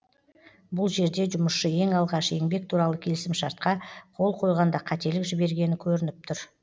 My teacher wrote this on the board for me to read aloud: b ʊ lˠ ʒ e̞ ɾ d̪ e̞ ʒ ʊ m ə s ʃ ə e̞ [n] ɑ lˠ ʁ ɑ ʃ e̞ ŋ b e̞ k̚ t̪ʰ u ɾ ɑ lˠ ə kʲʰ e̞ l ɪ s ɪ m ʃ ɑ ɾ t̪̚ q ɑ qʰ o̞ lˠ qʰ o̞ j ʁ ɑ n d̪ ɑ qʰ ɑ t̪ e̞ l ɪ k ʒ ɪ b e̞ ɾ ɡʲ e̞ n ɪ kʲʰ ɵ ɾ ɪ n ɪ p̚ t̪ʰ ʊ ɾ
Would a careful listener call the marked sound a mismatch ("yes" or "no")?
yes